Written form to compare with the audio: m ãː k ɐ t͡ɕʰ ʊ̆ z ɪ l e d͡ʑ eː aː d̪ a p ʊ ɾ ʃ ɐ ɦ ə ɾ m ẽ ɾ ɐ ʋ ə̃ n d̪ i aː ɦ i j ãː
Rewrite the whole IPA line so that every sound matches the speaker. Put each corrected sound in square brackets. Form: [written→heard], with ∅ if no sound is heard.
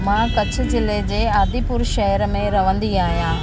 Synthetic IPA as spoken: m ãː k ɐ t͡ɕʰ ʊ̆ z ɪ l e d͡ʑ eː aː d̪ [a→i] p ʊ ɾ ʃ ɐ ɦ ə ɾ m ẽ ɾ ɐ ʋ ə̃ n d̪ i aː ɦ i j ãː